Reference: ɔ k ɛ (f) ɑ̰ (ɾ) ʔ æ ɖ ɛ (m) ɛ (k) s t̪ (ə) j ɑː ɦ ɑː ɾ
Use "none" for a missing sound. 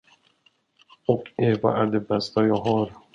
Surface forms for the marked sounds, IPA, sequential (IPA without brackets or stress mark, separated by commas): v, none, b, none, a